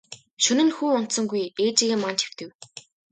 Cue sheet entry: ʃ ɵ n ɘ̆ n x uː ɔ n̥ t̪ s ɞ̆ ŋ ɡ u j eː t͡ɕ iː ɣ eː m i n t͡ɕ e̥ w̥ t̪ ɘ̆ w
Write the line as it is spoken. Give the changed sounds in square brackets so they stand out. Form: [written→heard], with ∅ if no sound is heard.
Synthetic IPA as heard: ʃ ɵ n ɘ̆ n x uː ɔ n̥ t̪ s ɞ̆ ŋ ɡ u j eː t͡ɕ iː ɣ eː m [i→a] n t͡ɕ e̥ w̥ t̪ ɘ̆ w